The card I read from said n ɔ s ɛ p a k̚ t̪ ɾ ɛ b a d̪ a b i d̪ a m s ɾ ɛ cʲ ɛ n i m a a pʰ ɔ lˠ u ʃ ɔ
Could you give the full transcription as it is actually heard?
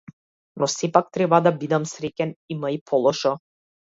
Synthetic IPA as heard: n ɔ s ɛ p a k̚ t̪ ɾ ɛ b a d̪ a b i d̪ a m s ɾ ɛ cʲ ɛ n i m a i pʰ ɔ lˠ ɔ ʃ ɔ